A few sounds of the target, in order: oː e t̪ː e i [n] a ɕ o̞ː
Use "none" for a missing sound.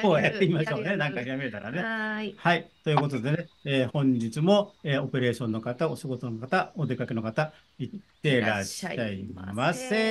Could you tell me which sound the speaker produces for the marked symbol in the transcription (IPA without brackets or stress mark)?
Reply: m